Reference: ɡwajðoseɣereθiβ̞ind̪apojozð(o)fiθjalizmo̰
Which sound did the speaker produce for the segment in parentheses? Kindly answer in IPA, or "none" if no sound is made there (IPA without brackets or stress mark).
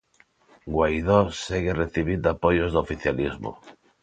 o